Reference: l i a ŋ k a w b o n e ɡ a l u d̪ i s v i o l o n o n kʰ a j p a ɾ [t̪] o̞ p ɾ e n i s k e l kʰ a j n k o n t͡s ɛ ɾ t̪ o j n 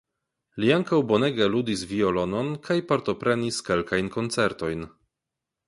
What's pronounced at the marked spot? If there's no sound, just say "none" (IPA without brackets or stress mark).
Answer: t̪